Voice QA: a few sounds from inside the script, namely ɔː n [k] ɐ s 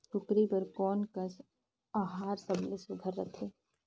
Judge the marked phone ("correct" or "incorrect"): correct